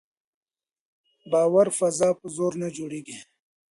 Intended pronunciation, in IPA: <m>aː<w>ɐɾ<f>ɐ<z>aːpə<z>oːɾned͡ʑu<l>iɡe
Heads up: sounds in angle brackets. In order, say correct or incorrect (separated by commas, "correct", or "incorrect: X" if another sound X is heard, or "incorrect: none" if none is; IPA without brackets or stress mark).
incorrect: b, correct, correct, correct, correct, incorrect: ɽ